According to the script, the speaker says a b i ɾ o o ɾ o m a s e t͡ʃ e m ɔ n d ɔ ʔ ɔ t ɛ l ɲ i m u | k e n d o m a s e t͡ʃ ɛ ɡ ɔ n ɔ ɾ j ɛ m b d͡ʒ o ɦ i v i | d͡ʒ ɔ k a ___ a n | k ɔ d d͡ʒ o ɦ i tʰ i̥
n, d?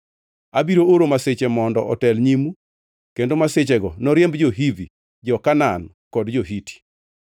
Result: n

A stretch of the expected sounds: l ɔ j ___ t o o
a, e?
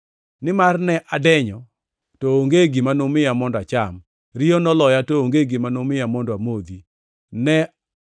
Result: a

